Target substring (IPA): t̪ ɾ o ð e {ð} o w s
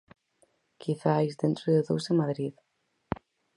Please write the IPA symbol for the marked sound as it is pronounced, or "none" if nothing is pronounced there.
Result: ð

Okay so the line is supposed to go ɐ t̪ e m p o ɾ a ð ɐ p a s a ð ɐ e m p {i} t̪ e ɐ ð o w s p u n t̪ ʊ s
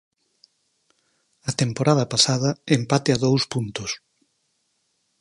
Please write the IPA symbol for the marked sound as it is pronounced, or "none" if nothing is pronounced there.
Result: a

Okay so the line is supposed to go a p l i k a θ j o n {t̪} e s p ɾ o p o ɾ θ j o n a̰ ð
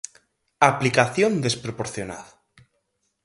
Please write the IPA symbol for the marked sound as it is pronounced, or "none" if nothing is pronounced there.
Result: d̪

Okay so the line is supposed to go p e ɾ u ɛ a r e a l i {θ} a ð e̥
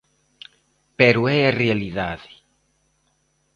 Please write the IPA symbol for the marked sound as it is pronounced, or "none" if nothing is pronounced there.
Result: ð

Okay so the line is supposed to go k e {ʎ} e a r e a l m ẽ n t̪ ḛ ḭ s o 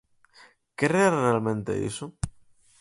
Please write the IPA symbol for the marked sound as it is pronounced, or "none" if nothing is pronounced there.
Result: r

